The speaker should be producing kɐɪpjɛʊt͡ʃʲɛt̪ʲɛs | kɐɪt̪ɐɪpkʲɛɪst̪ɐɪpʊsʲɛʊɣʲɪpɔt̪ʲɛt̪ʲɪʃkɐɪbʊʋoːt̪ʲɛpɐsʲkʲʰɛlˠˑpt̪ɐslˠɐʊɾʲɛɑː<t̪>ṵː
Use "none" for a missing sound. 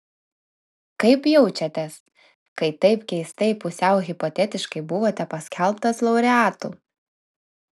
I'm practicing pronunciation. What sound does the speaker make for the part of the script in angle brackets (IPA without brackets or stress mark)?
t̪